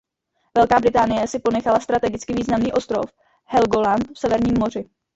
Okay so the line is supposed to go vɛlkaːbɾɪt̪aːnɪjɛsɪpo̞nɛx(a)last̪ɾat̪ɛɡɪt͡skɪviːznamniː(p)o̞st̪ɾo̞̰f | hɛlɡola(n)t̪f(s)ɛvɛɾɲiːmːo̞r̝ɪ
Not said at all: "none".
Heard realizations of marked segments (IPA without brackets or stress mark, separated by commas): a, ʔ, n, s